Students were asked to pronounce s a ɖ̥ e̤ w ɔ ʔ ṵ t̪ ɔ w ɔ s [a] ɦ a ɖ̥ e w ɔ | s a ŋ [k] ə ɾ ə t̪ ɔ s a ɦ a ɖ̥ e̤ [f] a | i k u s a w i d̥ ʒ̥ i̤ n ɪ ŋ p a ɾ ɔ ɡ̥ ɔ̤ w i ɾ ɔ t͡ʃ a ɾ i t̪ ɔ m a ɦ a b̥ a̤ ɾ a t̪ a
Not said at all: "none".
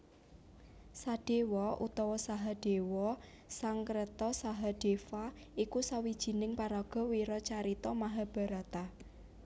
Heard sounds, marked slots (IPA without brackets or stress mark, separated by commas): a, k, f